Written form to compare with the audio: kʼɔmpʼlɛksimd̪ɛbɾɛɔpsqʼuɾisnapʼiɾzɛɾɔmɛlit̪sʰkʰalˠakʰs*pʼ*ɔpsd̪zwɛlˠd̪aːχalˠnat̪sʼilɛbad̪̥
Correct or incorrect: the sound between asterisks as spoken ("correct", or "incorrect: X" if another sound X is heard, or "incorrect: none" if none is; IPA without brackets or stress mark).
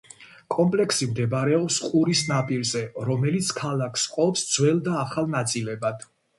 incorrect: qʼ